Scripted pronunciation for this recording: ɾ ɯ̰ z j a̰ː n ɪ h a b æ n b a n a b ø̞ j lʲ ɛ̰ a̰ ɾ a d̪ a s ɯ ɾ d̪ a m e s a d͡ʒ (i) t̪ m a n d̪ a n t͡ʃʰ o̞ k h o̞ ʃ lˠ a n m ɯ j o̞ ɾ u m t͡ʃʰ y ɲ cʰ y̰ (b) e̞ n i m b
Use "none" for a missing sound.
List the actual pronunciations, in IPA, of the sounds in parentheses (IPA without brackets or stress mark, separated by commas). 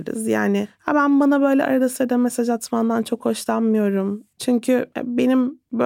a, b